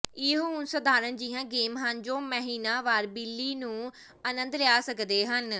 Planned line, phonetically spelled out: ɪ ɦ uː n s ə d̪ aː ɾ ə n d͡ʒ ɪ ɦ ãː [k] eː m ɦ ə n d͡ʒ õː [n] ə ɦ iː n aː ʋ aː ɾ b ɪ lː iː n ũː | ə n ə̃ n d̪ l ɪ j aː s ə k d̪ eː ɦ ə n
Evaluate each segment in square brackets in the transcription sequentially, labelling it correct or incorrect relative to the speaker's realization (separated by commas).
incorrect, incorrect